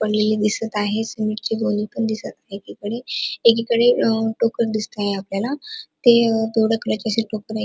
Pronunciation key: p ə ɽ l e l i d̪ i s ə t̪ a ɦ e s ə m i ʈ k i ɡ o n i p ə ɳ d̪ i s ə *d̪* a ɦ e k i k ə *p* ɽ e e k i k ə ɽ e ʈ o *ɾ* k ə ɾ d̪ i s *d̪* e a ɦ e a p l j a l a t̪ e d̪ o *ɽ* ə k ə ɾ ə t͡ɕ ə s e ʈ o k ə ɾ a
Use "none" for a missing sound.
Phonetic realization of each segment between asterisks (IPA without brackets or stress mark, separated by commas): t̪, none, none, t̪, ɽ